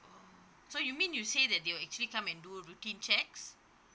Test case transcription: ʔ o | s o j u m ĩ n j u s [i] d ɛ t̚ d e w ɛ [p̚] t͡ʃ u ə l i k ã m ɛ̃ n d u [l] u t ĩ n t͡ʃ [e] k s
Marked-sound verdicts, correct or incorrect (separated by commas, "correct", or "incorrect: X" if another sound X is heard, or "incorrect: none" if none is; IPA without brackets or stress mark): incorrect: e, incorrect: k̚, incorrect: ɹ, incorrect: ɛ